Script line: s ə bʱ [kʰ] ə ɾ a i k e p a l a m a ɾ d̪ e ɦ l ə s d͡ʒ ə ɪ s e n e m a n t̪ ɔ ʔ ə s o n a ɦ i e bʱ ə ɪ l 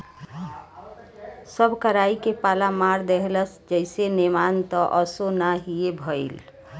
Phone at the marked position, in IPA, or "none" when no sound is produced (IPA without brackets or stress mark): k